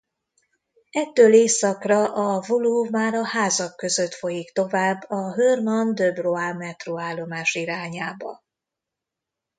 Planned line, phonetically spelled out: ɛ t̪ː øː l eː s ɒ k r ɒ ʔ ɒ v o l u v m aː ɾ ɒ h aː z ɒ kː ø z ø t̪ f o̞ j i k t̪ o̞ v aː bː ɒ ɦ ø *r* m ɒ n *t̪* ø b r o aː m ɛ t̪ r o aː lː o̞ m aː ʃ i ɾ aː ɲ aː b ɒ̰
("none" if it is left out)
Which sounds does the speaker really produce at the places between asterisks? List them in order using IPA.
r, d̪

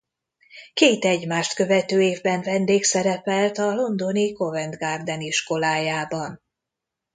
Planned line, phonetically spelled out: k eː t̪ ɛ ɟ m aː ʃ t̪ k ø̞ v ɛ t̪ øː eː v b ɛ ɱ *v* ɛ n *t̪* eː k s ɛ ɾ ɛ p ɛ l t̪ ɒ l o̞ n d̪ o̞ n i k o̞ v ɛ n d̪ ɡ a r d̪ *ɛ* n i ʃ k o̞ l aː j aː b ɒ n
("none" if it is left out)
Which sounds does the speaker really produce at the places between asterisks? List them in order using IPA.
v, d̪, ɛ

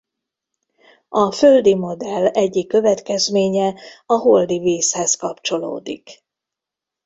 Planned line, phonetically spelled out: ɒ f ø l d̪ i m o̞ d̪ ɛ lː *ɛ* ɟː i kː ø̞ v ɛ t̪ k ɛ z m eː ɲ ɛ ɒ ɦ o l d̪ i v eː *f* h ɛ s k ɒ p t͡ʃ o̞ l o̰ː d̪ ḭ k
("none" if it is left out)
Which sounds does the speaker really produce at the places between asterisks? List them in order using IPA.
ɛ, s

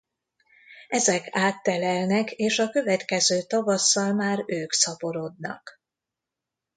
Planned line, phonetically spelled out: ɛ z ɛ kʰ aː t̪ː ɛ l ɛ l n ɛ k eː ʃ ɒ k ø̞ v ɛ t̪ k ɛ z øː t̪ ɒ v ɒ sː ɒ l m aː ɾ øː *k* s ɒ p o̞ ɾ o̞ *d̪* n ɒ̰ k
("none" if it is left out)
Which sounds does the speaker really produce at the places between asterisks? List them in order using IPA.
k, d̪

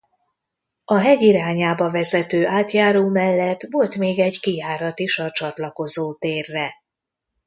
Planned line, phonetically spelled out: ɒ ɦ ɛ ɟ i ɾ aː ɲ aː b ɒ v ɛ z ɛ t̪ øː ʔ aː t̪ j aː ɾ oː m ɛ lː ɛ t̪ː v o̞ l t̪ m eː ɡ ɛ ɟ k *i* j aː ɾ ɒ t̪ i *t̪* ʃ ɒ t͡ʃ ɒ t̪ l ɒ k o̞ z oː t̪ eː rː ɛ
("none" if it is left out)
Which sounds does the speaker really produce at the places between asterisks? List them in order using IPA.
i, none

